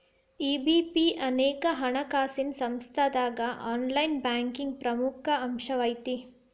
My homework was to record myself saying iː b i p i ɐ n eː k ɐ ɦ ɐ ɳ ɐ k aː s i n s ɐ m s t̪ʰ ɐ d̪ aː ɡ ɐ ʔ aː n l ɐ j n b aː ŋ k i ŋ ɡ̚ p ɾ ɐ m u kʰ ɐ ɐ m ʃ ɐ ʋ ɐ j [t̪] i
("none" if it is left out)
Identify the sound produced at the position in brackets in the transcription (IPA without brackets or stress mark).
t̪